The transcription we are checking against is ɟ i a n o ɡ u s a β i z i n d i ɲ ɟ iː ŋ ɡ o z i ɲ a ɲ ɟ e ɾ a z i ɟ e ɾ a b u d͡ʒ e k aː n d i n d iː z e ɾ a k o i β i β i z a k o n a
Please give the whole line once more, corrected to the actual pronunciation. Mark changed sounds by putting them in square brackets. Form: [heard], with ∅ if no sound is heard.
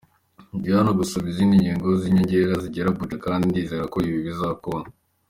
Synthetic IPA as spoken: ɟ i a n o ɡ u s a β i z i n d i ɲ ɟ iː ŋ ɡ o z i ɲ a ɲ ɟ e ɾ a z i ɟ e ɾ a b u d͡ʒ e k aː n d i n d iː z e ɾ a k o i β i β i z a k o n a